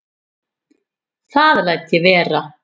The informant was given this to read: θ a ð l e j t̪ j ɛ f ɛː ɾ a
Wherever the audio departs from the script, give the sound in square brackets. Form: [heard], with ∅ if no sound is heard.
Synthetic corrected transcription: θ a ð l [a] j t̪ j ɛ [v] ɛː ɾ a